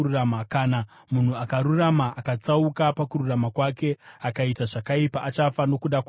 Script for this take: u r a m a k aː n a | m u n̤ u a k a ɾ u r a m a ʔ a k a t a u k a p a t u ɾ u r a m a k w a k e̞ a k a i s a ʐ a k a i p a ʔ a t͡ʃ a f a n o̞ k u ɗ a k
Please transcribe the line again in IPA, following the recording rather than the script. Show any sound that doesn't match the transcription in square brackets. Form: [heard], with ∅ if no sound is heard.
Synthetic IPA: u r a m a k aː n a | m u n̤ u a k a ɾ u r a m a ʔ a k a [t͡s] a u k a p a [k] u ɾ u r a m a k w a k e̞ a k a i [t] a ʐ a k a i p a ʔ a t͡ʃ a f a n o̞ k u ɗ a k